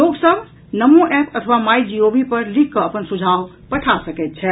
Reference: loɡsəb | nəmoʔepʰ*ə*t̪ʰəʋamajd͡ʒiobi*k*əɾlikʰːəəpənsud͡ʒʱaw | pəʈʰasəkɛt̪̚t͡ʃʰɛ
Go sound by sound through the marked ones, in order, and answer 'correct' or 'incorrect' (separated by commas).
correct, incorrect